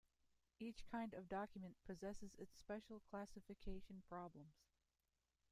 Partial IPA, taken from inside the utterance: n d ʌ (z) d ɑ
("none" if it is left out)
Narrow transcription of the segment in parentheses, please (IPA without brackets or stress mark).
v